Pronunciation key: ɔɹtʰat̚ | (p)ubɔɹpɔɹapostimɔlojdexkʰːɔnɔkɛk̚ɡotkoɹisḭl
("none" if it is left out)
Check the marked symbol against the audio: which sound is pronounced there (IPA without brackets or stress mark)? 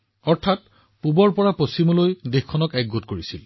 p